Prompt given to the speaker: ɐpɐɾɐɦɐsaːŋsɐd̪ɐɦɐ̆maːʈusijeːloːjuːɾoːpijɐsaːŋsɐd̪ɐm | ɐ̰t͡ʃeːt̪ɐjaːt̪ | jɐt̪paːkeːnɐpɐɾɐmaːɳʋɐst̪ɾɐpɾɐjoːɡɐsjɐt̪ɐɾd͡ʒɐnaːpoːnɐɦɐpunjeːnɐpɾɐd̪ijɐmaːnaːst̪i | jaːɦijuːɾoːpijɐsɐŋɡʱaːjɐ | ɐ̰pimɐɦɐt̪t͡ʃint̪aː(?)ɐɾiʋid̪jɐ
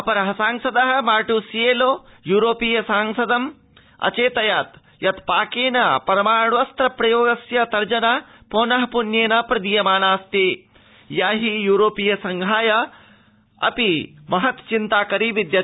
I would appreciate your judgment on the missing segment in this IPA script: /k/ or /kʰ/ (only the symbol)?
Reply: k